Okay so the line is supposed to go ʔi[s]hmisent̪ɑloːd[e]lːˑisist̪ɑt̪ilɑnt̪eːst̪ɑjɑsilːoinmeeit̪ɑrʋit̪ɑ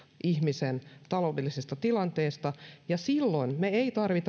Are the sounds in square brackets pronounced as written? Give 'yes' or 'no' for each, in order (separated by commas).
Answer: no, yes